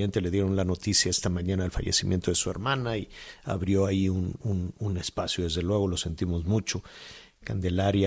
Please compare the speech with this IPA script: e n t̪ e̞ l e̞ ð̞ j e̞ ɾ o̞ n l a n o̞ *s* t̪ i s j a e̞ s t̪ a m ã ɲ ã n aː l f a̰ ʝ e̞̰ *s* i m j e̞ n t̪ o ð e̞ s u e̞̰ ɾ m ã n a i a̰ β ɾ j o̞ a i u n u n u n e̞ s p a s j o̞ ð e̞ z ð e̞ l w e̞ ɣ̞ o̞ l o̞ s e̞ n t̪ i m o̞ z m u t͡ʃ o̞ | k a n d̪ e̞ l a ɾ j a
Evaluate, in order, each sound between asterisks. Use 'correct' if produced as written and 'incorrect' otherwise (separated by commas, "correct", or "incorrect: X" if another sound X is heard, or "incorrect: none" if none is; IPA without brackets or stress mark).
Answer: incorrect: none, correct